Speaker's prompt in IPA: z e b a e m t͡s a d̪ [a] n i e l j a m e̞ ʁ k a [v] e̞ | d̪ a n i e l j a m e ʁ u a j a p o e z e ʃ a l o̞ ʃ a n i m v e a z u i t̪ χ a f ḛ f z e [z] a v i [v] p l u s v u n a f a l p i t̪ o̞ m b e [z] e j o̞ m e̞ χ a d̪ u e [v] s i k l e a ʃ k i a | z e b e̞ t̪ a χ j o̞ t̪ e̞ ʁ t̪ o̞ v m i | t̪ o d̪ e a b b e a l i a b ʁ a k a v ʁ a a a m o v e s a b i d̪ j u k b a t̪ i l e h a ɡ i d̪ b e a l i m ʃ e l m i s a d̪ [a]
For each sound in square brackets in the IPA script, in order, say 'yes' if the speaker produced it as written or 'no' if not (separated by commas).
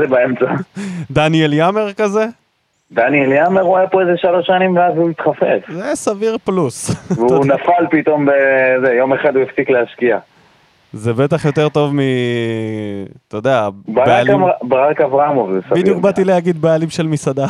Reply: yes, no, no, no, yes, no, yes